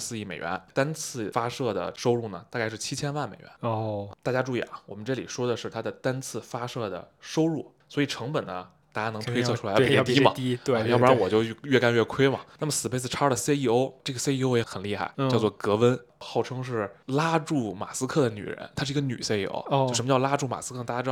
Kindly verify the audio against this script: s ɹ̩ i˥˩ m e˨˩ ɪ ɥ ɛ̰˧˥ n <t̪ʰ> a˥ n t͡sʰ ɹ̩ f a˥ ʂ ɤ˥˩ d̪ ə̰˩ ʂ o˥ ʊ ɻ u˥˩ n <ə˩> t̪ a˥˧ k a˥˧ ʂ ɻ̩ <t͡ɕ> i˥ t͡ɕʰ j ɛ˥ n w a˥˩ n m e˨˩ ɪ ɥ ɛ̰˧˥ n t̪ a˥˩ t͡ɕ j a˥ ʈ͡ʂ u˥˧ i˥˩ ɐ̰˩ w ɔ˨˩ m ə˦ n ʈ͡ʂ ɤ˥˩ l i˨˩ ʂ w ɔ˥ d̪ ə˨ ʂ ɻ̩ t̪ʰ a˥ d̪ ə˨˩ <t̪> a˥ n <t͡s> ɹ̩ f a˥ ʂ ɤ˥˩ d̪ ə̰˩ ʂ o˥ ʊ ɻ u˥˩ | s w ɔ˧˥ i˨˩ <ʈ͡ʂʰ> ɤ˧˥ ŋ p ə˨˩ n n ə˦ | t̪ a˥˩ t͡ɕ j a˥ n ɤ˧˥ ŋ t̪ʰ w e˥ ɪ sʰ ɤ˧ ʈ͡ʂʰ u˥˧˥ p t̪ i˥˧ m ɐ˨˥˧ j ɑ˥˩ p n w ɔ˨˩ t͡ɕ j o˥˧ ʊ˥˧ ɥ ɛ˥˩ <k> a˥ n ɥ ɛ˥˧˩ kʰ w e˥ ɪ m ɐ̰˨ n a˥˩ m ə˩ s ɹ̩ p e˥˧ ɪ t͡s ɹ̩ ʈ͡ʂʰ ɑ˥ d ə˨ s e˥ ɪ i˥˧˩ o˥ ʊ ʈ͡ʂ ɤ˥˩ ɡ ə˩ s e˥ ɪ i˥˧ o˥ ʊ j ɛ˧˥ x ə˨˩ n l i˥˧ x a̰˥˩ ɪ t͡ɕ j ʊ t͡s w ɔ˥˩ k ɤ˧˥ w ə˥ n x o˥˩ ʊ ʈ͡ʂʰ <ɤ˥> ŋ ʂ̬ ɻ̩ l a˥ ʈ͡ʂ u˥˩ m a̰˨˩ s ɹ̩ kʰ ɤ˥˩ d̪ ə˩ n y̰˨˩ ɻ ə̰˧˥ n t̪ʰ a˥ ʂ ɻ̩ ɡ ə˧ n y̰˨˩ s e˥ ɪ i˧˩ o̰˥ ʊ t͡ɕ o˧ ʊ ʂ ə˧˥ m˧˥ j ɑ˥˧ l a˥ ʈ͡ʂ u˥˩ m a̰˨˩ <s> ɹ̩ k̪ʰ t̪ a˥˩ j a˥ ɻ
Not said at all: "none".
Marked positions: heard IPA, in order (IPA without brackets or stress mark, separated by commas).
t̪, ə˩, t͡ɕʰ, t̪, t͡sʰ, ʈ͡ʂʰ, k, ɤ˥, s